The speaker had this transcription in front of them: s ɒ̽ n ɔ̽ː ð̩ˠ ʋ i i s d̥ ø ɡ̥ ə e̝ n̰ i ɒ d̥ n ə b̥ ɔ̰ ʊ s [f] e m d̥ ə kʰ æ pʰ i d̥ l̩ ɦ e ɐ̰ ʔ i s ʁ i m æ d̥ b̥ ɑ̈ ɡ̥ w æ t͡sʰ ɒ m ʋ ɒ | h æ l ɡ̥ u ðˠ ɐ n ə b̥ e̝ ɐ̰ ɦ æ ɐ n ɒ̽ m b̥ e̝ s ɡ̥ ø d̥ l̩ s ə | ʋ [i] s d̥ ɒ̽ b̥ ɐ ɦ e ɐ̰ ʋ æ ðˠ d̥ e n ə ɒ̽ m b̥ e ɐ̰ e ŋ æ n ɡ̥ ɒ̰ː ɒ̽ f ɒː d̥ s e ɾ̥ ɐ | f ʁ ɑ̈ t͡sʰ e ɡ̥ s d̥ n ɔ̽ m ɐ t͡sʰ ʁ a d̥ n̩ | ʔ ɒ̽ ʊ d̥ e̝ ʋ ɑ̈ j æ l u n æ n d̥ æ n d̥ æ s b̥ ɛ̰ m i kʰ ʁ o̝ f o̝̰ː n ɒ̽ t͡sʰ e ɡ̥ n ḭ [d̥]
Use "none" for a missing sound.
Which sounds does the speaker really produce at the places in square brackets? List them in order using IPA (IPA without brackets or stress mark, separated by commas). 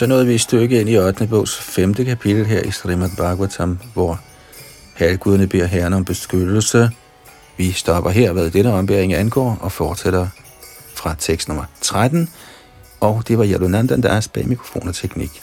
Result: f, i, ɡ̥